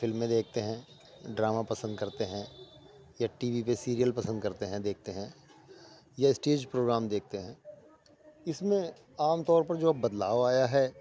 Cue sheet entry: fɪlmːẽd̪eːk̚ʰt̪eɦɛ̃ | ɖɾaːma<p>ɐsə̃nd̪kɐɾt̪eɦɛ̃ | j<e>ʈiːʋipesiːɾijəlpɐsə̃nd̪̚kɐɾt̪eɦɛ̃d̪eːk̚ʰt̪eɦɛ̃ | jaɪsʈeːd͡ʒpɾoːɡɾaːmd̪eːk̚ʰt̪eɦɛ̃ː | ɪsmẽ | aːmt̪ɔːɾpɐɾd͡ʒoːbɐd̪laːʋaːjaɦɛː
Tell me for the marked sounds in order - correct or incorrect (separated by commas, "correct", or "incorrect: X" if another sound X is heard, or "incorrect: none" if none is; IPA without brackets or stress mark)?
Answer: correct, incorrect: a